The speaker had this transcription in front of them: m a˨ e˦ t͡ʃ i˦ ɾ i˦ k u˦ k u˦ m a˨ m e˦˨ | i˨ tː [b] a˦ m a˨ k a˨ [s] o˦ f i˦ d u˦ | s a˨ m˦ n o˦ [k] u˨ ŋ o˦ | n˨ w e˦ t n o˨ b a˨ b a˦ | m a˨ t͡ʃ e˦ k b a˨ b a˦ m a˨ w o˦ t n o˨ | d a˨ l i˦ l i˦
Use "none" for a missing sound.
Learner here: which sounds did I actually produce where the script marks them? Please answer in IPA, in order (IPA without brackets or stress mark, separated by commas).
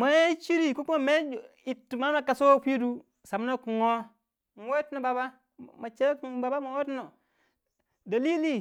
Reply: m, s, k